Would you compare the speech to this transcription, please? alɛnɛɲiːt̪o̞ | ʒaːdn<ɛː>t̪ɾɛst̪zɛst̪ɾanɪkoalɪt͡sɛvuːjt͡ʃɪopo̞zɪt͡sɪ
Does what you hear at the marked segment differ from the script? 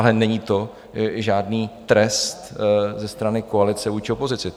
yes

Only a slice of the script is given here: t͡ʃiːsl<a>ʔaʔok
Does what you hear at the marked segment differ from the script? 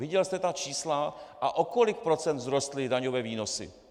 no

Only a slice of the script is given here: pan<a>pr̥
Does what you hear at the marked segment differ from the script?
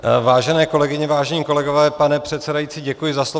yes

